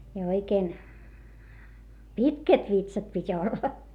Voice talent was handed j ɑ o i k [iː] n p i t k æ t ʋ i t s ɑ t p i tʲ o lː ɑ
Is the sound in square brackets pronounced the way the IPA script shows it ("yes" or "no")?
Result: no